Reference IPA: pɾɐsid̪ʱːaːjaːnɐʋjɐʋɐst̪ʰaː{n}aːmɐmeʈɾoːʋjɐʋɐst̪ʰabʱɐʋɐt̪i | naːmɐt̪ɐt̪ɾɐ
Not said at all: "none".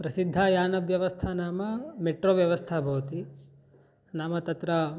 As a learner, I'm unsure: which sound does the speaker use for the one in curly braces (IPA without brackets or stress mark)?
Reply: n